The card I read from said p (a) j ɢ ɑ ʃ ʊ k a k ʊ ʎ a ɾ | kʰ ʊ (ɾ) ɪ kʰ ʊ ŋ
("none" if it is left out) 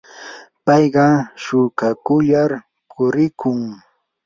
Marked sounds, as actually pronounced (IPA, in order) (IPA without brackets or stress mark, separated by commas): ɑ, ɾ